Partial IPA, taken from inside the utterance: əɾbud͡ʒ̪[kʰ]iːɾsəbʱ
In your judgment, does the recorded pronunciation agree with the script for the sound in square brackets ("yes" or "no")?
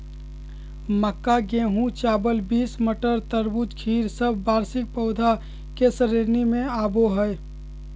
yes